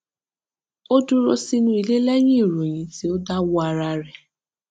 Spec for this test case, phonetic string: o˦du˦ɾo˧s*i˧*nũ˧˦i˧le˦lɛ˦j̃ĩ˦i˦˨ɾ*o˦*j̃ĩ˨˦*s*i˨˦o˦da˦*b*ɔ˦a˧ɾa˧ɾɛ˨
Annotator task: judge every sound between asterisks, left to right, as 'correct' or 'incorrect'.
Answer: correct, incorrect: o˨, incorrect: t, incorrect: w

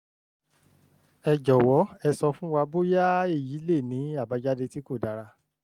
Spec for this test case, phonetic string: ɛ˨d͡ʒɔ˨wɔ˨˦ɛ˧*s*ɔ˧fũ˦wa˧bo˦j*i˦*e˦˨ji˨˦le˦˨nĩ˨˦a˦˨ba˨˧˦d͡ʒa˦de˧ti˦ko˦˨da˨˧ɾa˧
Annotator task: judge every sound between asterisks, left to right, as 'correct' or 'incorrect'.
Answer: correct, incorrect: a˦

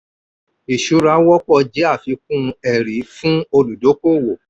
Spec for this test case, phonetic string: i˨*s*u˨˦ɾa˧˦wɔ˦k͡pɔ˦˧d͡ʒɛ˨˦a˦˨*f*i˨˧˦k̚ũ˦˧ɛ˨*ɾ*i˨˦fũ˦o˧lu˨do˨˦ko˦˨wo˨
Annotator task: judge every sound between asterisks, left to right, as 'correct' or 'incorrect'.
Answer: incorrect: ʃ, correct, correct

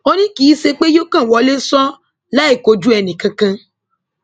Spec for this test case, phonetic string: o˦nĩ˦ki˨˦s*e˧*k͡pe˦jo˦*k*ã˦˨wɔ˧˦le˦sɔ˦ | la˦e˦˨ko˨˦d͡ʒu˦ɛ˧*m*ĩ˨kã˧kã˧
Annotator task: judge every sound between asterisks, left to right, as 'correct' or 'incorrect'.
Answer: correct, correct, incorrect: n

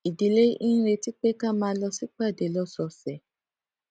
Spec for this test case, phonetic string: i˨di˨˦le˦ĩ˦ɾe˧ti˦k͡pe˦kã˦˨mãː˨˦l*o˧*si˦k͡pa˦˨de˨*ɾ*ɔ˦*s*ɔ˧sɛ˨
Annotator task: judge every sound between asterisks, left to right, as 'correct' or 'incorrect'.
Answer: incorrect: ɔ˧, incorrect: l, correct

